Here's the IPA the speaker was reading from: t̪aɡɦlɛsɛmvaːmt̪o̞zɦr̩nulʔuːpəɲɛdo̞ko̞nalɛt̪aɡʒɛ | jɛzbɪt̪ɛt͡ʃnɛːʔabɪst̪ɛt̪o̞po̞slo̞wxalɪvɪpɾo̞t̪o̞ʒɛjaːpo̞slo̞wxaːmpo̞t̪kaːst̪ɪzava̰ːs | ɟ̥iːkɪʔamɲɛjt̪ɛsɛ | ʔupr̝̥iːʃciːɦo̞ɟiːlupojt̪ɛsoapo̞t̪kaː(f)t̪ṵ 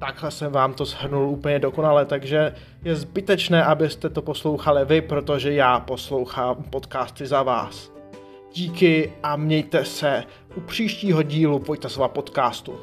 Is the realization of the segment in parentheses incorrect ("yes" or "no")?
yes